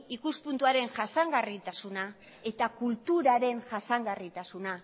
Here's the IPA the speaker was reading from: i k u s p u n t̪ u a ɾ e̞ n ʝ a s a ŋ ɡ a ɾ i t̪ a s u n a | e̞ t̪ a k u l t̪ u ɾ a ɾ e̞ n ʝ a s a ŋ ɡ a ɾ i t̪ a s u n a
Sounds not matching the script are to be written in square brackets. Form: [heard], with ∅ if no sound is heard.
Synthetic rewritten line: i k u s p u n t̪ u a ɾ e̞ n ʝ a s a ŋ ɡ a [r] i t̪ a s u n a | e̞ t̪ a k u l t̪ u ɾ a ɾ e̞ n ʝ a s a ŋ ɡ a [r] i t̪ a s u n a